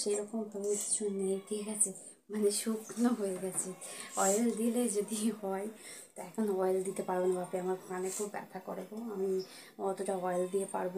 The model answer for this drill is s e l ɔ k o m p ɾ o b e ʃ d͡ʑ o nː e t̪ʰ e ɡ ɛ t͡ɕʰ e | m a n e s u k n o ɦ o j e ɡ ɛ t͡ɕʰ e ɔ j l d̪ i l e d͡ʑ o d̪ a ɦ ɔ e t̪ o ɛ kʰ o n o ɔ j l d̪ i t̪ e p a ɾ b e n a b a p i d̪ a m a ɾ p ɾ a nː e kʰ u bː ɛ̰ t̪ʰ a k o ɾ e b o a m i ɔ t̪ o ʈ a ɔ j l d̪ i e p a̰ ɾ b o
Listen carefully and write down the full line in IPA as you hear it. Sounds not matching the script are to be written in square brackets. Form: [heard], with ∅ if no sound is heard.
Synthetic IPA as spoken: [ʃ] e [ɾ] ɔ k o m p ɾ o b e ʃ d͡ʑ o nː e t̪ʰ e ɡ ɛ t͡ɕʰ e | m a n e [ʃ] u k n o ɦ o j e ɡ ɛ t͡ɕʰ e ɔ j l d̪ i l e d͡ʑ o d̪ [i] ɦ ɔ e t̪ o ɛ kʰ o n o ɔ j l d̪ i t̪ e p a ɾ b e n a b a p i [∅] a m a ɾ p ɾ a [n] e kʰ u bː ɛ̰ t̪ʰ a k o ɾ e b o a m i ɔ t̪ o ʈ a ɔ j l d̪ i e p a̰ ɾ b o